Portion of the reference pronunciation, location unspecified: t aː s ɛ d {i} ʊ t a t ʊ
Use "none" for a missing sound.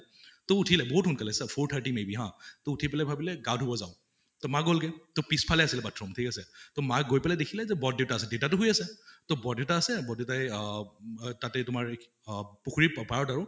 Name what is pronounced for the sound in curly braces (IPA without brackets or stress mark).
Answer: e